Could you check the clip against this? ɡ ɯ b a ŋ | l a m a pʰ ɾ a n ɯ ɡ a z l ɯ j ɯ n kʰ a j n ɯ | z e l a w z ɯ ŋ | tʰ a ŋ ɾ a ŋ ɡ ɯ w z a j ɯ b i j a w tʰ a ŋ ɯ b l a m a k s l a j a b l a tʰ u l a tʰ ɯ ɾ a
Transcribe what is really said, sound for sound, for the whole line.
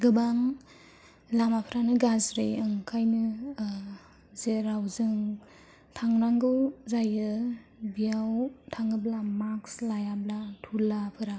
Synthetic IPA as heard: ɡ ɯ b a ŋ | l a m a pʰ ɾ a n ɯ ɡ a z ɾ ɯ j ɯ ŋ kʰ a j n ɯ | z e ɾ a w z ɯ ŋ | tʰ a ŋ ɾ a ŋ ɡ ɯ w z a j ɯ b i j a w tʰ a ŋ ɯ b l a m a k s l a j a b l a tʰ u l a pʰ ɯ ɾ a